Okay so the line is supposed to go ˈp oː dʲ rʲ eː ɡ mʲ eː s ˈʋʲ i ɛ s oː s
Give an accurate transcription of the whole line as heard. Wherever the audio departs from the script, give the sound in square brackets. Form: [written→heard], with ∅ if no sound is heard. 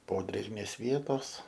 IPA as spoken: ˈp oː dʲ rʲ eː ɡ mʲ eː s ˈʋʲ i ɛ [s→t] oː s